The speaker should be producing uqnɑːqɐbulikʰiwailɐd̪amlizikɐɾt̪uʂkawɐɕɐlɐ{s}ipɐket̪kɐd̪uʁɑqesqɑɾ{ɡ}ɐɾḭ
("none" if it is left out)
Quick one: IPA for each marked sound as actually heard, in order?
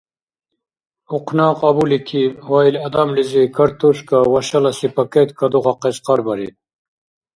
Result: s, b

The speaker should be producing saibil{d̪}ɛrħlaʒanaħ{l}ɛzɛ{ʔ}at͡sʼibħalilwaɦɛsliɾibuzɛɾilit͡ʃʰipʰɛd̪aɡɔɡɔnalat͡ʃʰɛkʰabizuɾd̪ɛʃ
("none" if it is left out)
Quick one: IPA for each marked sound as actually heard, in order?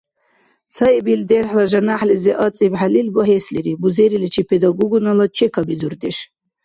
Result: d̪, l, ʔ

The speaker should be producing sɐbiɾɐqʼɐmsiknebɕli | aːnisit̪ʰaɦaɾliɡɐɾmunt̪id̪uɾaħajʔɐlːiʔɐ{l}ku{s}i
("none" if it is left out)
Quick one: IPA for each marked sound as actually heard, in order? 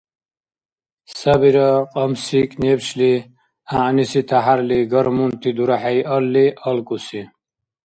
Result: l, s

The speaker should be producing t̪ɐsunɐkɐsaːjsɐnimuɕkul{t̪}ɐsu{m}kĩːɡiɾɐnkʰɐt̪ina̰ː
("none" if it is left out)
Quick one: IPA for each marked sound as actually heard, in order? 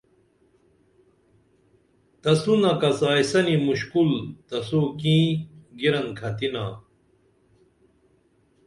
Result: t̪, none

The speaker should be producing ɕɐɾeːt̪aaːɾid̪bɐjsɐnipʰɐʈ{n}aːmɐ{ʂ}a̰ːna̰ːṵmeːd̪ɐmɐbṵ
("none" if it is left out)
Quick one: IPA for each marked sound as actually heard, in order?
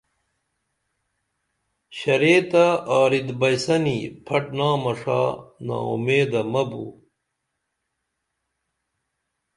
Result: n, ʂ

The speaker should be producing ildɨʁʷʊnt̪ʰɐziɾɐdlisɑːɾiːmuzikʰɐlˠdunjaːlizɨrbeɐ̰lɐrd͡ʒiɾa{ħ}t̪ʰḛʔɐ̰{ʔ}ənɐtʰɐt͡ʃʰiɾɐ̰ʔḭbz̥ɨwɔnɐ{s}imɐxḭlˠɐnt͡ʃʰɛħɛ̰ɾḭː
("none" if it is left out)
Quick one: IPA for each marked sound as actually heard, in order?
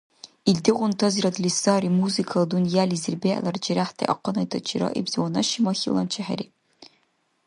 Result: ħ, q, ʃ

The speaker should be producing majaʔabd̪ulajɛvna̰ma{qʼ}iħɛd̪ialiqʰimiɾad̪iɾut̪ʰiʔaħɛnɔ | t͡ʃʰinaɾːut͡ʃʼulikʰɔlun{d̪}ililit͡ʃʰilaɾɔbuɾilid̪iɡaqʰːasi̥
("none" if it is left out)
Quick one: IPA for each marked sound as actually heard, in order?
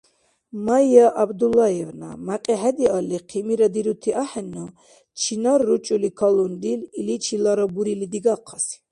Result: qʼ, d̪

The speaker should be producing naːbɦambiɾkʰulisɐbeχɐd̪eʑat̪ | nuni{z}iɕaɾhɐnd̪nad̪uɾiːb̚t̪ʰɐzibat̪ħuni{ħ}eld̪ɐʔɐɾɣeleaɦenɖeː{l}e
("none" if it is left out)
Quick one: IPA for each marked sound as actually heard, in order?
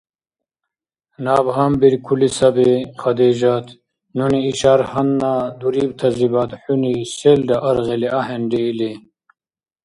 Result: none, s, l

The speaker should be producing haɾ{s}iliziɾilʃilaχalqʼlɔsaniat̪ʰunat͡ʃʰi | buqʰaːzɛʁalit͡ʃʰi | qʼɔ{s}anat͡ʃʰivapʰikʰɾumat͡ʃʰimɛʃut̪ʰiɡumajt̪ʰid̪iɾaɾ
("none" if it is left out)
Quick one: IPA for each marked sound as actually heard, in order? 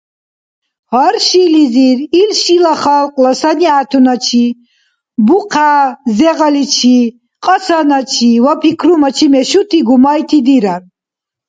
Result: ʃ, s

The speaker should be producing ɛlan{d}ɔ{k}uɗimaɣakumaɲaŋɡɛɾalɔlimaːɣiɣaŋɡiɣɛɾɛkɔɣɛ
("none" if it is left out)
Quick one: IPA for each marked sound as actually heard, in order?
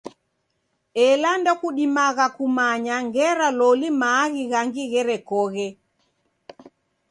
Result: d, k

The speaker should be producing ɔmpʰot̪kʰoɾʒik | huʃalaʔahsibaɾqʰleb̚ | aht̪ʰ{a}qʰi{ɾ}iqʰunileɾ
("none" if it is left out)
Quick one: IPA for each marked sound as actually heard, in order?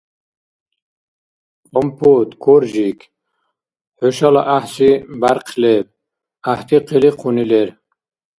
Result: i, l

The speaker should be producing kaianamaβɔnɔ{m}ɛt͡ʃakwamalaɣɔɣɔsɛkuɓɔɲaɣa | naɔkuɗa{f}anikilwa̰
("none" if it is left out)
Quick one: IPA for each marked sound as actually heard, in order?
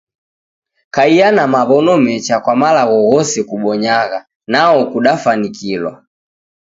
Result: m, f

